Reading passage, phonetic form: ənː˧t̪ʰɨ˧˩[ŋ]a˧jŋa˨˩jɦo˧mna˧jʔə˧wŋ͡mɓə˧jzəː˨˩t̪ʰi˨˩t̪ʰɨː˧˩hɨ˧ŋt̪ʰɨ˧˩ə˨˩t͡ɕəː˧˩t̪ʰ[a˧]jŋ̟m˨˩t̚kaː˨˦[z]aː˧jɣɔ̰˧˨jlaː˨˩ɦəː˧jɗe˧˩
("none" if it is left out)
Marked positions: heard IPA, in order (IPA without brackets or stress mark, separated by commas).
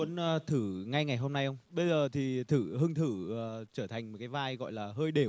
ŋ, a˨˩, v